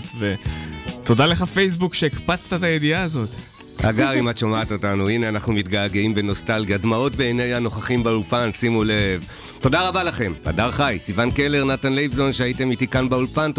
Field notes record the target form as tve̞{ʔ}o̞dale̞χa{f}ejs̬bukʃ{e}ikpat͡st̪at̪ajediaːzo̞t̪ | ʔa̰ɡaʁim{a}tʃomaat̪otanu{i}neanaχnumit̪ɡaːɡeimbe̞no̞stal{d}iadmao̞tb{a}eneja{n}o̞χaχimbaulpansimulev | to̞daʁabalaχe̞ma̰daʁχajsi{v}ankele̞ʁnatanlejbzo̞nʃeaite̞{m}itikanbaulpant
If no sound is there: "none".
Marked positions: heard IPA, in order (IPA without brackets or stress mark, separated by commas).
t, f, e, a, i, ɡ, e, n, v, m